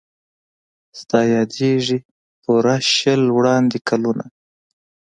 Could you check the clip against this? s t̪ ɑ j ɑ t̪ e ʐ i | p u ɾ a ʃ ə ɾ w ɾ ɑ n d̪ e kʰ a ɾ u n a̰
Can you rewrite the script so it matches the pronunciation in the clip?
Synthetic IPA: s t̪ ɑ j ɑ d̪ e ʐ i | p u ɾ a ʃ ə l w ɽ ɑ n d̪ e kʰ a l u n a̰